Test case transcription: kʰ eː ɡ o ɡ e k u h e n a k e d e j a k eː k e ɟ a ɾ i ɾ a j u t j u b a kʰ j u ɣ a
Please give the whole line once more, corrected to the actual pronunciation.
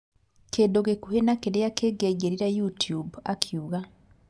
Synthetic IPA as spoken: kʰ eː d o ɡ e k u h e n a k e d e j a k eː ɡ e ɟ e ɾ i ɾ a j u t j u b a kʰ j u ɣ a

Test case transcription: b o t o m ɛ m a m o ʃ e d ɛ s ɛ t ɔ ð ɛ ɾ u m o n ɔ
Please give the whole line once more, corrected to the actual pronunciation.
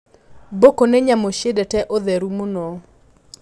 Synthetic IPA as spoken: b o k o n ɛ ɲ a m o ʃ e d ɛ t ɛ ʔ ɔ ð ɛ ɾ u m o n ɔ

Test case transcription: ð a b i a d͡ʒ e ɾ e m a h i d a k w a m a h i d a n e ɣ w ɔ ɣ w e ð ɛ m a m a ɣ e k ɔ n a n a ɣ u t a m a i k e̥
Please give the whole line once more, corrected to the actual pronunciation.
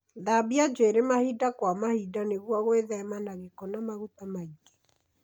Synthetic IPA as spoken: ð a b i a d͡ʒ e ɾ e m a h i d a k w a m a h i d a n e ɣ w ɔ ɣ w e ð ɛ m a n a ɣ e k ɔ n a m a ɣ u t a m a i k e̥

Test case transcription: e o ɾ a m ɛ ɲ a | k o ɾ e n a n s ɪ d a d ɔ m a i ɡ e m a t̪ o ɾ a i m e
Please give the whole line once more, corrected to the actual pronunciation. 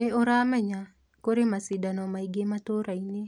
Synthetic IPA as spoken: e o ɾ a m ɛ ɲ a | k o ɾ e m a s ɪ d a n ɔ m a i ɡ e m a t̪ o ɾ a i n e

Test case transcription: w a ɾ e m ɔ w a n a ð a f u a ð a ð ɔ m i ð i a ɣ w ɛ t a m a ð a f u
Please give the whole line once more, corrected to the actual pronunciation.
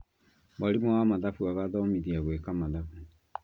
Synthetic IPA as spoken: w a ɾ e m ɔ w a m a ð a f u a ɣ a ð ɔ m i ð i a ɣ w ɛ k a m a ð a f u

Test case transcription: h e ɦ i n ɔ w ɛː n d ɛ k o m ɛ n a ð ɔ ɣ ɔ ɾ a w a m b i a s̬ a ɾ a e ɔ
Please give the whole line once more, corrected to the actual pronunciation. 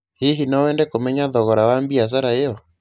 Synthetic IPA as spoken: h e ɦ i n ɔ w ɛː n d ɛ k o m ɛ ɲ a ð ɔ ɣ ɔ ɾ a w a m b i a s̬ a ɾ a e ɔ

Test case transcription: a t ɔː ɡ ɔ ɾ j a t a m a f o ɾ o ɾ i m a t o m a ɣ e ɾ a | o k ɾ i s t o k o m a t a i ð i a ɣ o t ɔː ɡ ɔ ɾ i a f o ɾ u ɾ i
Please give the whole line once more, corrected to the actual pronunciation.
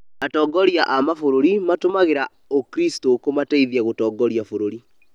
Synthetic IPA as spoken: a t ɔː ɡ ɔ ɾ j a ʔ a m a f o ɾ o ɾ i m a t o m a ɣ e ɾ a | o k ɾ i s t o k o m a t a i ð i a ɣ o t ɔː ɡ ɔ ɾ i a f o ɾ o ɾ i

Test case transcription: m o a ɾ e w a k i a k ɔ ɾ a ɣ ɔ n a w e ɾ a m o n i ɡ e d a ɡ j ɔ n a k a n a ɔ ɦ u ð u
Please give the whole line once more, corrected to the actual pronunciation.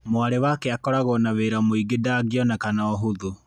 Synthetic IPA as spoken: m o a ɾ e w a k e a k ɔ ɾ a ɣ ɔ n a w e ɾ a m o i ɡ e d a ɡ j ɔ n a k a n a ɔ ɦ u ð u

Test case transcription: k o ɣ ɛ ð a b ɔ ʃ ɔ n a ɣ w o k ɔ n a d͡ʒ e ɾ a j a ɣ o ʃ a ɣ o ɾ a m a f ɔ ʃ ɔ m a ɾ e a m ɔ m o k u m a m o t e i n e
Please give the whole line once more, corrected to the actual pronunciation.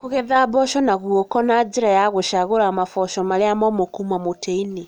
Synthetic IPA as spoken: k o ɣ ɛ ð a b ɔ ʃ ɔ n a ɣ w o k ɔ n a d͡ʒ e ɾ a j a ɣ o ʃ a ɣ o ɾ a m a f ɔ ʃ ɔ m a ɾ e a m ɔ m o k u m a m o t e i n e

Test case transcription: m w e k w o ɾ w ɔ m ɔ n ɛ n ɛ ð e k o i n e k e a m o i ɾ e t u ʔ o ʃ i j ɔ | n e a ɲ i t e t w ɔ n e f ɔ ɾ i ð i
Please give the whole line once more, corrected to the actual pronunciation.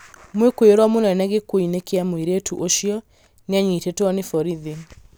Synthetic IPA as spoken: m w e k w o ɾ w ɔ m o n ɛ n ɛ ɣ e k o i n e k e a m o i ɾ e t u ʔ o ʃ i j ɔ | n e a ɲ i t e t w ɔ n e f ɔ ɾ i ð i

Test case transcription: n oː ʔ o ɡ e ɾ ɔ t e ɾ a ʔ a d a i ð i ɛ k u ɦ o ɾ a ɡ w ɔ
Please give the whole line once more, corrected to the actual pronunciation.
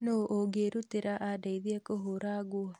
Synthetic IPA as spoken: n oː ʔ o ɡ e ɾ u t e ɾ a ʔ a d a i ð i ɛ k o ɦ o ɾ a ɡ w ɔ

